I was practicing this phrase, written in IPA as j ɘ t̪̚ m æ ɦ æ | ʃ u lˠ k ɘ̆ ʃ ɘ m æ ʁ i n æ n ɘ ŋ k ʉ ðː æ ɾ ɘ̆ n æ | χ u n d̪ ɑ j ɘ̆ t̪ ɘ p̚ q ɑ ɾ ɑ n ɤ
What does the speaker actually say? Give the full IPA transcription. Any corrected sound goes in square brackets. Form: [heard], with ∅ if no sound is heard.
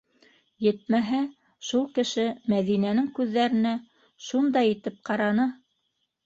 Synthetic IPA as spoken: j ɘ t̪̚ m æ ɦ æ | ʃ u lˠ k ɘ̆ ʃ ɘ m æ [ð] i n æ n ɘ ŋ k ʉ ðː æ ɾ ɘ̆ n æ | [ʃ] u n d̪ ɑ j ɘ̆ t̪ ɘ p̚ q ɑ ɾ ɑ n ɤ